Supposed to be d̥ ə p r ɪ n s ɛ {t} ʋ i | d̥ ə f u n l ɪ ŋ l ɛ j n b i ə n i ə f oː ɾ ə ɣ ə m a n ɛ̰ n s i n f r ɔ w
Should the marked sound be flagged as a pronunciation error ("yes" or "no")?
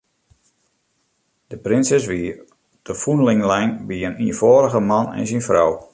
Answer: yes